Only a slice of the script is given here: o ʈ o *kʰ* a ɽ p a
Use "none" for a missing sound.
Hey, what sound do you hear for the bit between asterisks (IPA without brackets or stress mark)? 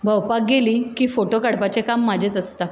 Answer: k